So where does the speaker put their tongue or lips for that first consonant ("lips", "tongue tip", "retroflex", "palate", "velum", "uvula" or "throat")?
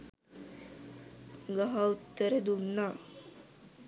velum